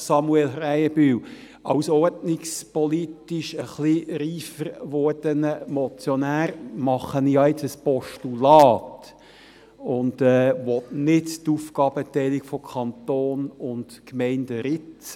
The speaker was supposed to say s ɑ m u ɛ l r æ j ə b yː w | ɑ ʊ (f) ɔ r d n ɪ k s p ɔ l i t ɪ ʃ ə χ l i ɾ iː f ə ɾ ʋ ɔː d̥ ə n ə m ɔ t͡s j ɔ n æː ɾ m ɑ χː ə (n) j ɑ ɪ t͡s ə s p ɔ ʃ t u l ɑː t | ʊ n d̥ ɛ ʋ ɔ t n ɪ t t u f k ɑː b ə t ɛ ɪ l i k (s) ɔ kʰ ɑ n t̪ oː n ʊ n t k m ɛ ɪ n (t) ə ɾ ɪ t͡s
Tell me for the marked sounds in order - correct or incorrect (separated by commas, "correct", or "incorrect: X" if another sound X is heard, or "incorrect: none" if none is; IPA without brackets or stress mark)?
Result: incorrect: s, correct, incorrect: f, incorrect: d